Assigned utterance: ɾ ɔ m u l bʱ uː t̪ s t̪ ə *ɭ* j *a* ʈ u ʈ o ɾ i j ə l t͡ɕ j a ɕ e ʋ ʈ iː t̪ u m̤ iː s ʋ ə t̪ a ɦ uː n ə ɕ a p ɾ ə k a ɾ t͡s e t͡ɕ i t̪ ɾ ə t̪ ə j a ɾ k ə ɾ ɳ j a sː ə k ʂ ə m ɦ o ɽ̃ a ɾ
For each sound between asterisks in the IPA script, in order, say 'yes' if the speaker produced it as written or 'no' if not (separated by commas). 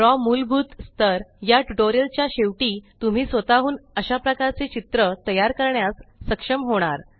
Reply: no, yes